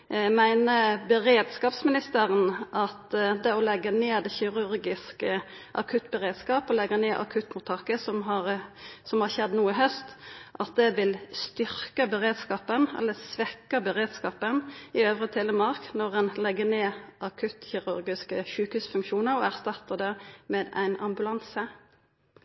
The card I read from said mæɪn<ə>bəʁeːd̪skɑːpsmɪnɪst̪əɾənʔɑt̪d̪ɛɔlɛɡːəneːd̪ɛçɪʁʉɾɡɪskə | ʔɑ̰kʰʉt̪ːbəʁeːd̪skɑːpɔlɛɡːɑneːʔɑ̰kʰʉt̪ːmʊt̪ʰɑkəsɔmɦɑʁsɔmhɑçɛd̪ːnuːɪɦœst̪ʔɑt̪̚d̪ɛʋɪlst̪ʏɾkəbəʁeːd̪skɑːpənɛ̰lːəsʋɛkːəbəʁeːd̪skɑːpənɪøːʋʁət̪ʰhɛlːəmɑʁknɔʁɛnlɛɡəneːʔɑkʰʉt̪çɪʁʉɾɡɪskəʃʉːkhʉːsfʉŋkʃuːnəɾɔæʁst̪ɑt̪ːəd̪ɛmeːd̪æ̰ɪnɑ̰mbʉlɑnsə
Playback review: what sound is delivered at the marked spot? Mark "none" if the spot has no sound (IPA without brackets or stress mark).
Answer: ə